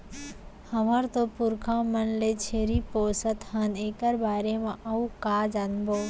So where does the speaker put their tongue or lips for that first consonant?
throat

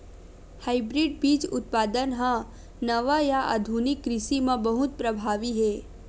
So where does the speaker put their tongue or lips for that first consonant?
throat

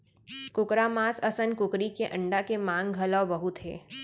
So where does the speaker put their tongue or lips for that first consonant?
velum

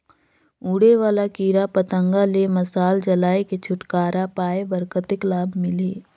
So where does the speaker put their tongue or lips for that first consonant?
retroflex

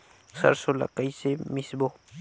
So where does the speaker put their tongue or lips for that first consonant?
tongue tip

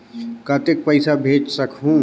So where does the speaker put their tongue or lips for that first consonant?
velum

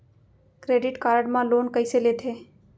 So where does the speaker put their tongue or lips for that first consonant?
velum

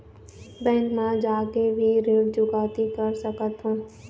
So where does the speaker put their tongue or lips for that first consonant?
lips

